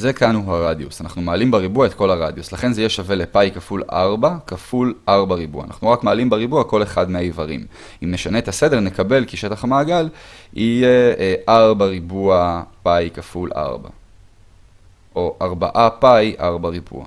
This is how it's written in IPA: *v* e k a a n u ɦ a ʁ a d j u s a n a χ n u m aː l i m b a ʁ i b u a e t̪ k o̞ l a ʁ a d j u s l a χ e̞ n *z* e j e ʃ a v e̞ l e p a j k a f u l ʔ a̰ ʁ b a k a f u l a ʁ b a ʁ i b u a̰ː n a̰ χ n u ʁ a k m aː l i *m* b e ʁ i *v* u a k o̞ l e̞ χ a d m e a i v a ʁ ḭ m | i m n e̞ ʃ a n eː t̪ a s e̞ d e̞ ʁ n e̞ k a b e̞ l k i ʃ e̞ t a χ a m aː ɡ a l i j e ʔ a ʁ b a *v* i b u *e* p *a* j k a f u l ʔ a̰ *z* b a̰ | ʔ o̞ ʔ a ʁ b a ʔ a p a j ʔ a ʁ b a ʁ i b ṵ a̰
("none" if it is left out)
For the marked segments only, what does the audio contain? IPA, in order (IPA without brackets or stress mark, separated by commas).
z, z, m, b, ʁ, a, a, ʁ